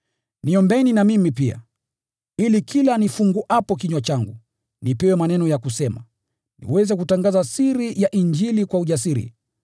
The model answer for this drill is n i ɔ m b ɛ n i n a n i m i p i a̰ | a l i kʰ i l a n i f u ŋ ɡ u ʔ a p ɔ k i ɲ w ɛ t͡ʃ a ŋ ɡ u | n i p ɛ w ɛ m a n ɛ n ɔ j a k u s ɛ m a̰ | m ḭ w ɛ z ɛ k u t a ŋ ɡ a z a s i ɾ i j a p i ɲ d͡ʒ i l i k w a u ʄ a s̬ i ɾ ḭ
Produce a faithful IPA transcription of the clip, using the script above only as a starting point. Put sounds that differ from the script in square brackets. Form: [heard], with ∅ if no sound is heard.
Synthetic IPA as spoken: n i ɔ m b ɛ n i n a [m] i m i p i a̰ | [i] l i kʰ i l a n i f u ŋ ɡ u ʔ a p ɔ k i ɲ w [a] t͡ʃ a ŋ ɡ u | n i p ɛ w ɛ m a n ɛ n ɔ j a k u s ɛ m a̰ | [n] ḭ w ɛ z ɛ k u t a ŋ ɡ a z a s i ɾ i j a [ʔ] i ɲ d͡ʒ i l i k w a u ʄ a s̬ i ɾ ḭ